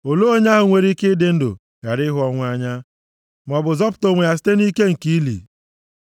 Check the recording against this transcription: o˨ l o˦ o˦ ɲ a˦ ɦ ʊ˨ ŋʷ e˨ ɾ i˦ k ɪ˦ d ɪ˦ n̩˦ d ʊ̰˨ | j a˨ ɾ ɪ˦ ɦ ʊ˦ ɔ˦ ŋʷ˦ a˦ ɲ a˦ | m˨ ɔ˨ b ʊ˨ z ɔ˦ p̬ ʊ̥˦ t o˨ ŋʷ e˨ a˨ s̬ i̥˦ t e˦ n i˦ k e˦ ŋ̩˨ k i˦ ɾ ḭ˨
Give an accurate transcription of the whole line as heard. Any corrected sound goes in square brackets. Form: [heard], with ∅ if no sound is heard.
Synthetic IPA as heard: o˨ l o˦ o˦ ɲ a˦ ɦ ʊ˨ ŋʷ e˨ ɾ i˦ k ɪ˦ d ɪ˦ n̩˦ d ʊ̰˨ | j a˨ ɾ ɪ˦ ɦ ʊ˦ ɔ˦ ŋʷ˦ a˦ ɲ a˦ | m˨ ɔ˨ b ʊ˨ z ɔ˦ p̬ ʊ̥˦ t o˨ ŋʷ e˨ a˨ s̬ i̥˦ t e˦ n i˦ k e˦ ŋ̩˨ k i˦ [l] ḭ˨